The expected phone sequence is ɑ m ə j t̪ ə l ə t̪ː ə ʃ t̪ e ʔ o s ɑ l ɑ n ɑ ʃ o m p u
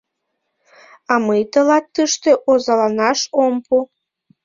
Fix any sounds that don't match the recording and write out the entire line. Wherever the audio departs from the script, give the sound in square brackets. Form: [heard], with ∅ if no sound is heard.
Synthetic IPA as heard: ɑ m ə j t̪ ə l [ɑ] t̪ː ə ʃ t̪ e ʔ o [z] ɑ l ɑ n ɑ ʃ o m p u